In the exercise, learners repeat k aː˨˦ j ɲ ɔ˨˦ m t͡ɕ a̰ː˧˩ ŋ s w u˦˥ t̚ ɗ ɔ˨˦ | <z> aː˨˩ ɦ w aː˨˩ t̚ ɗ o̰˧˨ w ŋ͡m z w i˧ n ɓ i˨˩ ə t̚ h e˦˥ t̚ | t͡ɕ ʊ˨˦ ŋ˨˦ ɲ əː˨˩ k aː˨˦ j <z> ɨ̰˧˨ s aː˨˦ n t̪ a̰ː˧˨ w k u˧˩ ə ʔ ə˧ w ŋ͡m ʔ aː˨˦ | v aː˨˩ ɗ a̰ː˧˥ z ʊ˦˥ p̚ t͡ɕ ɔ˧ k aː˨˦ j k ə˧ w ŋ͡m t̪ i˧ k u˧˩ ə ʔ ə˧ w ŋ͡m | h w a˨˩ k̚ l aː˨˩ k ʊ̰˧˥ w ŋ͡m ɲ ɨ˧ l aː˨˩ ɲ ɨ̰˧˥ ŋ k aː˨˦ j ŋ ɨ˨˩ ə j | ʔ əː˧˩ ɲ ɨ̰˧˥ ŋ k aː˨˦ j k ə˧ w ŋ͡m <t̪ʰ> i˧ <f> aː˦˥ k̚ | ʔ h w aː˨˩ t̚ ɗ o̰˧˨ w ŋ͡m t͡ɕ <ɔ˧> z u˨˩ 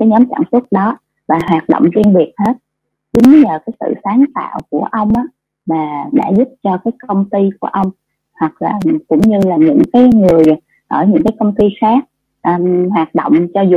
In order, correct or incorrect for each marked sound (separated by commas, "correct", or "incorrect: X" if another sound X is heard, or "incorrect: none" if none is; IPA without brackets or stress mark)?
incorrect: v, incorrect: s, incorrect: t̪, incorrect: x, correct